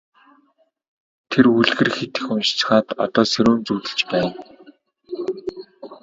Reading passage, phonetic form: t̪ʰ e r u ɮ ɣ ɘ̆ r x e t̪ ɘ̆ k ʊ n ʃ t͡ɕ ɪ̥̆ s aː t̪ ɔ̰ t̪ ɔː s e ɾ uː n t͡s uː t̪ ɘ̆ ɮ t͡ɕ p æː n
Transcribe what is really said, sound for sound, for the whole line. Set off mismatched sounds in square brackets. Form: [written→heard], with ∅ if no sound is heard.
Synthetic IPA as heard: t̪ʰ e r u ɮ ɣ ɘ̆ r x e t̪ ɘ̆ [k→x] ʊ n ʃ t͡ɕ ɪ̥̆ [s→χ] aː t̪ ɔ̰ t̪ ɔː s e ɾ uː n t͡s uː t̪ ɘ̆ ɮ t͡ɕ p æː n